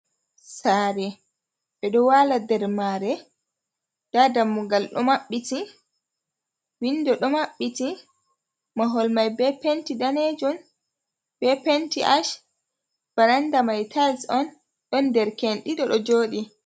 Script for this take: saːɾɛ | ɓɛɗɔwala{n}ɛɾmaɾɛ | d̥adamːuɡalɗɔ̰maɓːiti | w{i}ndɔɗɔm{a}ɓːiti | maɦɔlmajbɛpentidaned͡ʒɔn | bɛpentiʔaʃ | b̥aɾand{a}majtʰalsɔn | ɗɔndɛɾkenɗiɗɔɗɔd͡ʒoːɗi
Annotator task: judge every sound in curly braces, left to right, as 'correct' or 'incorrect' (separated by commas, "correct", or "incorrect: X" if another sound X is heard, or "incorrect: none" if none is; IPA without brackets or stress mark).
incorrect: d, correct, correct, correct